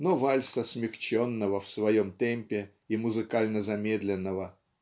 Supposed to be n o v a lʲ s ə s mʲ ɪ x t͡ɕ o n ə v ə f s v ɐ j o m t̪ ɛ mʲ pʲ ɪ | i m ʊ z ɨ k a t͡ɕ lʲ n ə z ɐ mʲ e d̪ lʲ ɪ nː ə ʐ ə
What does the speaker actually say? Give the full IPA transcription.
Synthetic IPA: n o v a lʲ s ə s mʲ ɪ x t͡ɕ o nː ə v ə f s v ɐ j o m t̪ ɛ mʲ pʲ ɪ | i m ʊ z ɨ k a lʲ n ə z ɐ mʲ e d̪ lʲ ɪ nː ə v ə

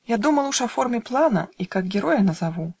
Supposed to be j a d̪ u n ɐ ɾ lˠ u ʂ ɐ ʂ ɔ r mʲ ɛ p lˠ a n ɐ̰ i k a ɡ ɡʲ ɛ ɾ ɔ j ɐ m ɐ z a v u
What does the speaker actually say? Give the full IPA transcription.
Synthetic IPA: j a d̪ u m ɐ lˠ u ʂ ɐ f ɔ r mʲ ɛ p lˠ a n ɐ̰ i k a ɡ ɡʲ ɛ ɾ ɔ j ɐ n ɐ z a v u

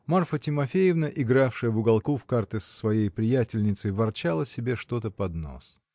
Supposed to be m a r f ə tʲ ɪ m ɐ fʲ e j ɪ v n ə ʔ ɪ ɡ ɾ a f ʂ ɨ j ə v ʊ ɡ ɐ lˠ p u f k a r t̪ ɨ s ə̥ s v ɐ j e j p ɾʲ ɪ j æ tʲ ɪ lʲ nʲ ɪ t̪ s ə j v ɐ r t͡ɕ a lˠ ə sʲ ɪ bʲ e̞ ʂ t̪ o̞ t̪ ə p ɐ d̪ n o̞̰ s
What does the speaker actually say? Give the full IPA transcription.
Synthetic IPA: m a r f ə tʲ ɪ m ɐ fʲ e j ɪ v n ə ʔ ɪ ɡ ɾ a f ʂ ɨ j ə v ʊ ɡ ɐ lˠ k u f k a r t̪ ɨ s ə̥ s v ɐ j e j p ɾʲ ɪ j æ tʲ ɪ lʲ nʲ ɪ t̪ s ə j v ɐ r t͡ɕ a lˠ ə sʲ ɪ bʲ e̞ ʂ t̪ o̞ t̪ ə p ɐ d̪ n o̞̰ s

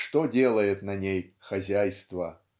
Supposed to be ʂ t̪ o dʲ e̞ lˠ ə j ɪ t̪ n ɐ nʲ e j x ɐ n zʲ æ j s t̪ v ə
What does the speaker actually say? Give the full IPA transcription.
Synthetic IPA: ʂ t̪ o dʲ e̞ lˠ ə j ɪ t̪ n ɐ nʲ e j x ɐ zʲ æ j s t̪ v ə

